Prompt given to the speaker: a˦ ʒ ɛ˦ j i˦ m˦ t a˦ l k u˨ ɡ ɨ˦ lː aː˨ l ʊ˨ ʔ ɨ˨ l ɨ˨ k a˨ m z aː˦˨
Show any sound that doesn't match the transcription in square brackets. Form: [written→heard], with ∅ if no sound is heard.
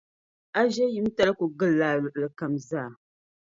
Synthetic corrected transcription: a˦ ʒ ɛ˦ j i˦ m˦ t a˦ l k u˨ ɡ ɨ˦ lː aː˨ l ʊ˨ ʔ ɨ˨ l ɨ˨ k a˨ m z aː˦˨